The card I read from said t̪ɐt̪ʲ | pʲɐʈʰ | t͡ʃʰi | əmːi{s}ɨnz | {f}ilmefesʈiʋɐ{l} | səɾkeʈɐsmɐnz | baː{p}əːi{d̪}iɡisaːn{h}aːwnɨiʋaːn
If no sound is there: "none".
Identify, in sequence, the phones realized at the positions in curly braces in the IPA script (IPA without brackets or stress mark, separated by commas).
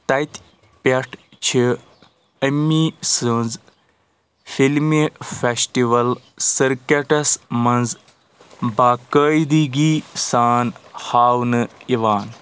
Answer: s, f, l, k, d̪, h